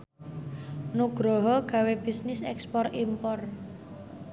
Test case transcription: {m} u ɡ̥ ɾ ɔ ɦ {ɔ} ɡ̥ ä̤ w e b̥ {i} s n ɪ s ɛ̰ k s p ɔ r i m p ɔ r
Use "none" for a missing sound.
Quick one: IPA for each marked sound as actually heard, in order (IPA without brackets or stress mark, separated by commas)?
n, ɔ, i